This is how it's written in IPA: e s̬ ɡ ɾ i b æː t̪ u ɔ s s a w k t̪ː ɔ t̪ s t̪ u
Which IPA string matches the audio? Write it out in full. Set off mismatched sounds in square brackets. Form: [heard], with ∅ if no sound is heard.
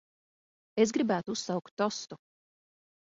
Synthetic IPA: e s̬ ɡ ɾ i b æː t̪ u [u] s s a w k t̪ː ɔ [∅] s t̪ u